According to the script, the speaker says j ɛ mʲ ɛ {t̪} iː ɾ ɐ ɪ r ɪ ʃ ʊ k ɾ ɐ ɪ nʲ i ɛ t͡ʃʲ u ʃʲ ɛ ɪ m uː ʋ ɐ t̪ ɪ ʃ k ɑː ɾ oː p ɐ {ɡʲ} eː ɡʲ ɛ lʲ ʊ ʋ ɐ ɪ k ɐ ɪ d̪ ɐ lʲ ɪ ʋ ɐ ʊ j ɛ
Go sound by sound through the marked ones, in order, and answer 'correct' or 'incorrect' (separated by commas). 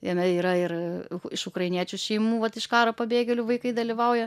incorrect, incorrect